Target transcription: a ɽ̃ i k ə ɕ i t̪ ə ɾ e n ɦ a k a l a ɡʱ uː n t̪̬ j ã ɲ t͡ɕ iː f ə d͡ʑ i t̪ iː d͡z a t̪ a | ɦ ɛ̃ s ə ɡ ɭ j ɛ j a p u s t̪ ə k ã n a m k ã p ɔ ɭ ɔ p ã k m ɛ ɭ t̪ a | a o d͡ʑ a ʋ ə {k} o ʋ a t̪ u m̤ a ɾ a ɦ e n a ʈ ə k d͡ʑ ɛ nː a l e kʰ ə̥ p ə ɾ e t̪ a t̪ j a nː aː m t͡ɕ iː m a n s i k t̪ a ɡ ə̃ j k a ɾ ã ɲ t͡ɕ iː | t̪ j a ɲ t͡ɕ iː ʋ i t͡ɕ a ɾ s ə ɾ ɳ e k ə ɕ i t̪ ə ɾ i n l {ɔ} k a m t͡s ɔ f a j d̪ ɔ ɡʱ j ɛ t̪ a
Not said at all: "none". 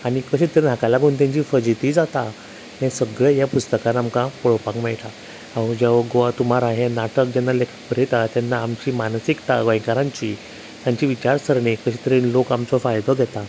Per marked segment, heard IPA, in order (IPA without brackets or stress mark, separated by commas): ɡ, o